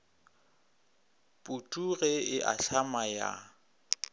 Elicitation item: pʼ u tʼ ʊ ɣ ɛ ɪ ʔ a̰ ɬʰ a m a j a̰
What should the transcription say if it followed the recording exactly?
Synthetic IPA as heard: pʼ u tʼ u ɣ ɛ ɪ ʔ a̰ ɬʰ a m a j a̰